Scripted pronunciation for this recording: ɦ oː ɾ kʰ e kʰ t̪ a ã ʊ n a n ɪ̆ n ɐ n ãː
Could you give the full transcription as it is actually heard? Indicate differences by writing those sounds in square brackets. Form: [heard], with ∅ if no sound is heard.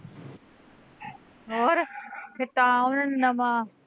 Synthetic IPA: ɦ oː ɾ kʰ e [∅] t̪ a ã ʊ n [ə] n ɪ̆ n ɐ [m] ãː